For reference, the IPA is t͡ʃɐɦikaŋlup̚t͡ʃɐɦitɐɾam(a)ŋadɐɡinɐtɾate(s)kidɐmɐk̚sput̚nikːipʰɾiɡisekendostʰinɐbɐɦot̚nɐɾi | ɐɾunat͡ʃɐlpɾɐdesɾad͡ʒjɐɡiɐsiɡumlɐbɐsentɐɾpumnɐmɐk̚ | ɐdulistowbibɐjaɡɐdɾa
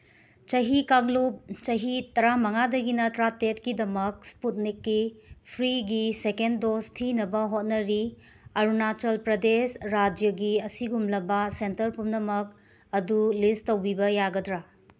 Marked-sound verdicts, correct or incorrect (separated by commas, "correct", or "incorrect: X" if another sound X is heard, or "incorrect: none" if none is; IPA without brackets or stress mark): incorrect: ɐ, incorrect: t